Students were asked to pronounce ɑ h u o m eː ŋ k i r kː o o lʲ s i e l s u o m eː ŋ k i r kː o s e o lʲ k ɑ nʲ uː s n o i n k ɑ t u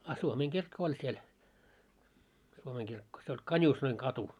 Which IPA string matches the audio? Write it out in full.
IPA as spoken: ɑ s u o m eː ŋ k i r kː o o lʲ s i e l s u o m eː ŋ k i r kː o s e o lʲ k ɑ nʲ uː s n o i ŋ k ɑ t u